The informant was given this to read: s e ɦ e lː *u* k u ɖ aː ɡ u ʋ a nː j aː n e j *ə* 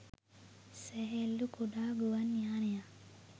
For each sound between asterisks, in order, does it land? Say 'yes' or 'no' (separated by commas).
yes, no